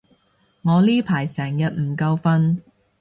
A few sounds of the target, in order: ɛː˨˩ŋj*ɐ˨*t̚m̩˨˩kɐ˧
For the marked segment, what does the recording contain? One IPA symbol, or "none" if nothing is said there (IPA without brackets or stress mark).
ɐ˨